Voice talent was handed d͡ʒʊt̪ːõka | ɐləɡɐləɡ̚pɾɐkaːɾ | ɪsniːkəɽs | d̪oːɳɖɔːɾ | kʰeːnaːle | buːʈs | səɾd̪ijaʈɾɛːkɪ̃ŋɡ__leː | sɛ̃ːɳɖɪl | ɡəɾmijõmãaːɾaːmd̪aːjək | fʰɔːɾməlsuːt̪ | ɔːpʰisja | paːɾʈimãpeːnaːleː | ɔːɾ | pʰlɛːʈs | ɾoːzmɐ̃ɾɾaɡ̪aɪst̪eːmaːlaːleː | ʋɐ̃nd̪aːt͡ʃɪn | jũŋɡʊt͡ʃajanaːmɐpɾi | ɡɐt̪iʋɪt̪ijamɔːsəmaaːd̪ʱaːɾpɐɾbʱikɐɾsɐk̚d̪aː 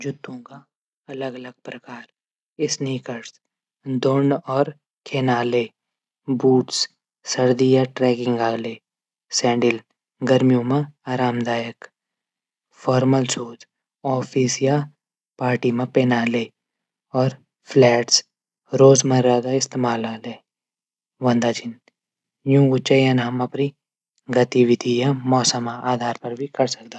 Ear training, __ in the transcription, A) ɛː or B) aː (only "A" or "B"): B